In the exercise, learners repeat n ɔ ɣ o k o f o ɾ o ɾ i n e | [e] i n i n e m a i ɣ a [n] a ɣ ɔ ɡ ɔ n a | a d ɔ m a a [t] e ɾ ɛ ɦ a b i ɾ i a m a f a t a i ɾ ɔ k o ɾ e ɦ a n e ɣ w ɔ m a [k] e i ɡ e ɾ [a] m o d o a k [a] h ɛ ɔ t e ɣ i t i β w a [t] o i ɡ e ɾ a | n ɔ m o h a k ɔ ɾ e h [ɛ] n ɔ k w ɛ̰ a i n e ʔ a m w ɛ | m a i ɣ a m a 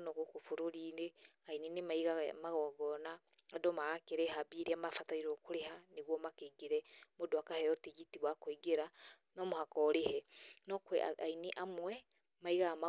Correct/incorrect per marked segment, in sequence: incorrect: a, incorrect: m, incorrect: k, correct, incorrect: ɛ, correct, incorrect: k, correct

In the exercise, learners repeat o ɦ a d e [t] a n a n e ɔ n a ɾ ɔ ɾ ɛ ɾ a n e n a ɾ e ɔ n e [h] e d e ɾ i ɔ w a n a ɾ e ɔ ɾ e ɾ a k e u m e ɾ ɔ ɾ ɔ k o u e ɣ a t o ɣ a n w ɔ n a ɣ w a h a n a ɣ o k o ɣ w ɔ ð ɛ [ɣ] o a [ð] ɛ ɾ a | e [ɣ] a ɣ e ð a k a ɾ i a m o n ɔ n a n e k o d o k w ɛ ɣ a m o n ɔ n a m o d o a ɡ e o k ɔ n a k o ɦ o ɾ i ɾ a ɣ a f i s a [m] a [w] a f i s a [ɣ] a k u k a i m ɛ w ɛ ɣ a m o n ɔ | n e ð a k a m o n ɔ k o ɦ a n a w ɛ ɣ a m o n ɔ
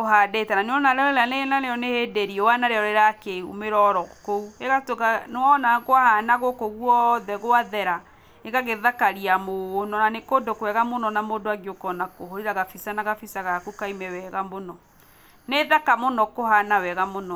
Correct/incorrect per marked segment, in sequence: correct, correct, correct, correct, correct, incorrect: n, incorrect: ɣ, correct

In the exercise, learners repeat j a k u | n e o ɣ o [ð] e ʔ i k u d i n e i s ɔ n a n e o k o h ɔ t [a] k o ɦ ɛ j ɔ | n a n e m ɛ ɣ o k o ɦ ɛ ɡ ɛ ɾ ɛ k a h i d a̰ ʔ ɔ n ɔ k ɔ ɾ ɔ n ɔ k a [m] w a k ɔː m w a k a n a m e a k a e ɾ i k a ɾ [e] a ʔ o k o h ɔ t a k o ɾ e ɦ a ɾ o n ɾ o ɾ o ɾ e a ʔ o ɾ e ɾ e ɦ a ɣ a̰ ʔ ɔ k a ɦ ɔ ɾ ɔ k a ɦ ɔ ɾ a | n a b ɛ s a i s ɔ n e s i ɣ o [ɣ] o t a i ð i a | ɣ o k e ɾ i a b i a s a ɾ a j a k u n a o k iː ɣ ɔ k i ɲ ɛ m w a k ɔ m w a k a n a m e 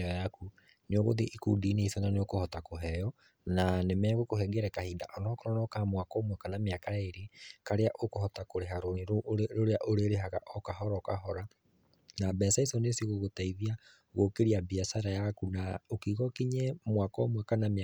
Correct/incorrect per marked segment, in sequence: correct, correct, correct, correct, correct

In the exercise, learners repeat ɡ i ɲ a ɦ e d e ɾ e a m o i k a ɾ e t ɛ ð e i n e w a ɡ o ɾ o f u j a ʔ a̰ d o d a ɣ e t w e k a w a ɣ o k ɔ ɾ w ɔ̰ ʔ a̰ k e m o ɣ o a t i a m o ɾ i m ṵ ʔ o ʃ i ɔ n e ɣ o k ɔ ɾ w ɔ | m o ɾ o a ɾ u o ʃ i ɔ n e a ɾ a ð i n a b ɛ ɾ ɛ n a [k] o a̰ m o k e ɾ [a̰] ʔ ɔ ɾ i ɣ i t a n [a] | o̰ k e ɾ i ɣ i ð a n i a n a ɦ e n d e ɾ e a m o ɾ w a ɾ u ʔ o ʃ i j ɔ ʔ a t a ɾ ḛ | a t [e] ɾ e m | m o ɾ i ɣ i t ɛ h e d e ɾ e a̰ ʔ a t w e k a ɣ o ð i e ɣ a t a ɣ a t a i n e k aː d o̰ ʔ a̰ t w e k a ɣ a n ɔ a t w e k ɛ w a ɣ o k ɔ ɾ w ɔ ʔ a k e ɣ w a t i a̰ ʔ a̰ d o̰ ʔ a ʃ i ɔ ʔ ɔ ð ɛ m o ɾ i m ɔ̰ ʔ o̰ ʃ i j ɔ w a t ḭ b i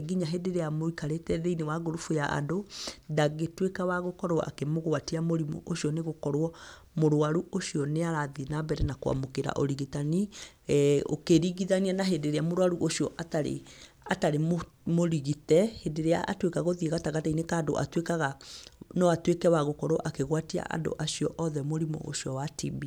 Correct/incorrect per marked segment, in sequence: correct, correct, incorrect: i, incorrect: a

